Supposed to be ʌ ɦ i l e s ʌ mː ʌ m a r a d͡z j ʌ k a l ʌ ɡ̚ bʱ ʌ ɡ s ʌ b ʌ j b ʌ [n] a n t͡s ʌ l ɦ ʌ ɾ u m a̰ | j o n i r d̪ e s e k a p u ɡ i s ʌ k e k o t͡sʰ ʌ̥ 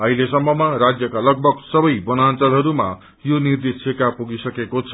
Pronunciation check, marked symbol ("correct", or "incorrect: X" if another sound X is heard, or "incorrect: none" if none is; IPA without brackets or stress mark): correct